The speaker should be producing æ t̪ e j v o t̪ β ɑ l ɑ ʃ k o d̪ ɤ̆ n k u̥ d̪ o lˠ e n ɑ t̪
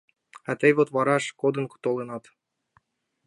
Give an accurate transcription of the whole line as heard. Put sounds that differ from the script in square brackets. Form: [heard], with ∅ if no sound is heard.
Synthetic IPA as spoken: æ t̪ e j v o t̪ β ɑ [ɾ] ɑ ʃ k o d̪ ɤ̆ n k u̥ [t̪] o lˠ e n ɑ t̪